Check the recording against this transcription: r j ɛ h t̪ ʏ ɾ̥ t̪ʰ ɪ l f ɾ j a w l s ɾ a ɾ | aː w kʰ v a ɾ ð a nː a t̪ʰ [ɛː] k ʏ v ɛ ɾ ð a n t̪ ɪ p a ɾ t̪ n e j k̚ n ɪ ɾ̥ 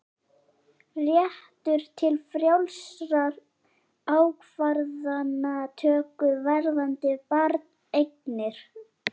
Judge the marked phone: incorrect: œː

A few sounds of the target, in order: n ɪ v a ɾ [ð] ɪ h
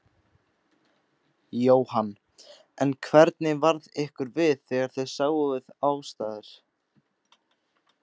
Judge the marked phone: correct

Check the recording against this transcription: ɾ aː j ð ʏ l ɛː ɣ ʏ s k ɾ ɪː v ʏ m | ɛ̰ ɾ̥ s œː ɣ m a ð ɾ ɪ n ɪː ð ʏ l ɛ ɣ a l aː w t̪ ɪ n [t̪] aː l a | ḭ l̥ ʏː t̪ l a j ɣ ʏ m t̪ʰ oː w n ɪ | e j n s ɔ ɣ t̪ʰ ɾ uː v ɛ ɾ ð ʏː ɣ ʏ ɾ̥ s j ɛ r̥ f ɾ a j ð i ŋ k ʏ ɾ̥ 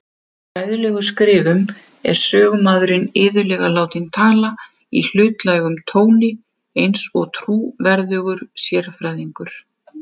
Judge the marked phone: incorrect: t̪ʰ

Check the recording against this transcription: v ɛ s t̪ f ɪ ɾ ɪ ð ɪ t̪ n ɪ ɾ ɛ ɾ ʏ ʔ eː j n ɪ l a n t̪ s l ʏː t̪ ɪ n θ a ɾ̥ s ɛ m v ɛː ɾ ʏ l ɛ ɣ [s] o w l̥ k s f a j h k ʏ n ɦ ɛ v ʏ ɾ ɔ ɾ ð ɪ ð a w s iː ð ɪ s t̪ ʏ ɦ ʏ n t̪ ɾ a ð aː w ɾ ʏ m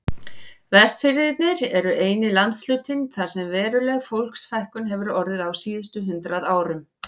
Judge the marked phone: incorrect: f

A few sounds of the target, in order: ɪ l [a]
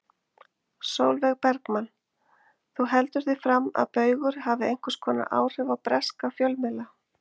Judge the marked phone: correct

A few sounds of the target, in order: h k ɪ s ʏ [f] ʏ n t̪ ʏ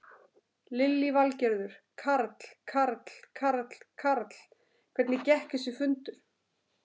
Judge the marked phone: correct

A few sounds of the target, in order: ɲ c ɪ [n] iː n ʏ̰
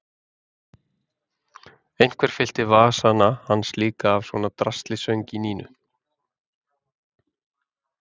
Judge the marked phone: correct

